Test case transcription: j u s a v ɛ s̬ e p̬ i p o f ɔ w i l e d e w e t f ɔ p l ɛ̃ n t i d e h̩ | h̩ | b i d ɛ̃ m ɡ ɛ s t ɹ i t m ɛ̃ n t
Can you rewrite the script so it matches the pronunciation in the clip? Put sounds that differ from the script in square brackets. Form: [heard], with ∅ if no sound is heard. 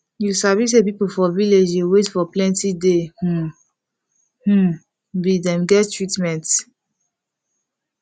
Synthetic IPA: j u s a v [i] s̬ e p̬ i p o f ɔ [v] i l e [d͡ʒ] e w e t f ɔ p l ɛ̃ n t i d e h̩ | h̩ | b i d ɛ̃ m ɡ ɛ [t] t ɹ i t m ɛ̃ n t